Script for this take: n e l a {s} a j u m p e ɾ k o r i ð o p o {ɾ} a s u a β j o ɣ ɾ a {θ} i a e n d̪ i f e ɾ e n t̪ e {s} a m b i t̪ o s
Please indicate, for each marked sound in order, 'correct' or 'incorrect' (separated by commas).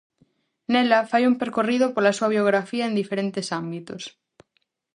incorrect, incorrect, incorrect, correct